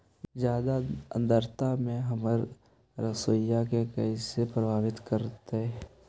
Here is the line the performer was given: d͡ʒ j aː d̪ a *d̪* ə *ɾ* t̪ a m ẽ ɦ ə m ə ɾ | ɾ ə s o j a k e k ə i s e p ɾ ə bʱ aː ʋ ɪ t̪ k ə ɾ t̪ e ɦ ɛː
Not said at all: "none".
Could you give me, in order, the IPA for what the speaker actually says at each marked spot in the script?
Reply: d̪, ɾ

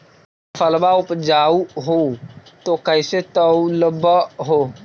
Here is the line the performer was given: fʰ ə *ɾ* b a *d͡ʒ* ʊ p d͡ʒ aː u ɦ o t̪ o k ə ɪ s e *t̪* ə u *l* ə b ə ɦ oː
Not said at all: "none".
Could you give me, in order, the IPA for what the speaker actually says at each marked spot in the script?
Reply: l, none, t̪, l

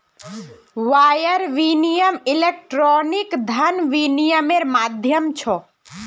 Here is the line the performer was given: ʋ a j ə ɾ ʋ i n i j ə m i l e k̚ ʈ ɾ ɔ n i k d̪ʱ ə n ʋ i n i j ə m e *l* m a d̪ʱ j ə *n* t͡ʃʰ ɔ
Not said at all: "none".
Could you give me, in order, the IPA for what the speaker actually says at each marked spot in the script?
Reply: ɾ, m

